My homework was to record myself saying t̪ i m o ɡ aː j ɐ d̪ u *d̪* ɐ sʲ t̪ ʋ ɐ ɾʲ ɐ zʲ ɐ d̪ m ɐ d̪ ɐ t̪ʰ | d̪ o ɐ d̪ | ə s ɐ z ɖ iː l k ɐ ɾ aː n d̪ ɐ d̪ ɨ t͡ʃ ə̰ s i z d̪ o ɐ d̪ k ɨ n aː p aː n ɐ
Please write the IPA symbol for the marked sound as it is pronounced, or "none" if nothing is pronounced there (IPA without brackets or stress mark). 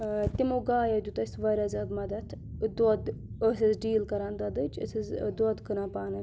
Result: t̪